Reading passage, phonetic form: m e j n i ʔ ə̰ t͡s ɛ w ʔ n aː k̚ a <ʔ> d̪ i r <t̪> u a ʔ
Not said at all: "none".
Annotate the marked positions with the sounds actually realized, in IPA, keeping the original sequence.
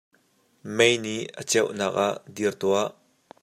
ʔ, t̪

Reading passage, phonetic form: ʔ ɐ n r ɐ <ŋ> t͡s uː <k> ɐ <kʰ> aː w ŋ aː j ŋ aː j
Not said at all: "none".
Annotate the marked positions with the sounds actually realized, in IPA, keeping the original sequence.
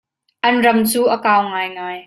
m, ʔ, k

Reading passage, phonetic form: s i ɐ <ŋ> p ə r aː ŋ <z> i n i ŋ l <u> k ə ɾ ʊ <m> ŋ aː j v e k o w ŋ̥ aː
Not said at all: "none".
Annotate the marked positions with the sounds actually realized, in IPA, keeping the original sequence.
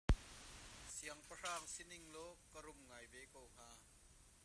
ŋ, s, ɔ, m

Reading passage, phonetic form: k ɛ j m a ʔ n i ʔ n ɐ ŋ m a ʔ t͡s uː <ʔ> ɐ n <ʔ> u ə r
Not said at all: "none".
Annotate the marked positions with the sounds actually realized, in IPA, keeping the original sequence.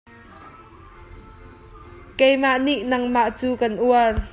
k, ʔ

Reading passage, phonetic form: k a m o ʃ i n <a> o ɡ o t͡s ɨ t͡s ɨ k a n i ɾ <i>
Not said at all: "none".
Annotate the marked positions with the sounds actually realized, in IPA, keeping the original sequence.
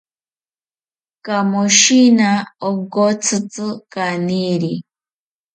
a, i

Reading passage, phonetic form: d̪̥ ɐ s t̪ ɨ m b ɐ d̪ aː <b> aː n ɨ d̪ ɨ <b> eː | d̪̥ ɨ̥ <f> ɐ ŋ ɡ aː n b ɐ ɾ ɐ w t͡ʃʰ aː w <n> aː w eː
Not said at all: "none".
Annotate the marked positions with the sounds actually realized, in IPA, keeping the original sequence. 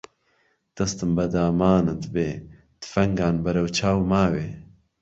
m, b, f, m

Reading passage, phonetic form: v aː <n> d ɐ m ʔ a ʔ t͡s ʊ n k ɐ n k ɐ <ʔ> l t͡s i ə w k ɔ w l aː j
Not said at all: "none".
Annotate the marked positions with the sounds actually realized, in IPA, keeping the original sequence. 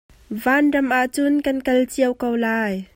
n, none

